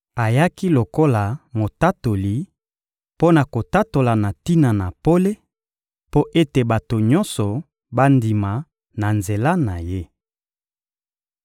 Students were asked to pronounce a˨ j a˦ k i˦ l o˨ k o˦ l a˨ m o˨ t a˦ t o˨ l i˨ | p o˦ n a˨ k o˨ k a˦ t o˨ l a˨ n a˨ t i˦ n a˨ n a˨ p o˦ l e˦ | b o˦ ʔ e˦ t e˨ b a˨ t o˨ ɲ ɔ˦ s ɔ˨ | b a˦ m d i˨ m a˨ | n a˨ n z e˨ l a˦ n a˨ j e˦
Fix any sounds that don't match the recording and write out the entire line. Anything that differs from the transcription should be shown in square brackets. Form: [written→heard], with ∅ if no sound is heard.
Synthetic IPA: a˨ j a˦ k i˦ l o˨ k o˦ l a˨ m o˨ t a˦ t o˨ l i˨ | p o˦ n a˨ k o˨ [k→t] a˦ t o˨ l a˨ n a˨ t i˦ n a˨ n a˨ p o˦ l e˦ | [b→p] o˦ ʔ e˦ t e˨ b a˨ t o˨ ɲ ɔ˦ s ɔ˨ | b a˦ [m→n] d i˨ m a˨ | n a˨ n z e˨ l a˦ n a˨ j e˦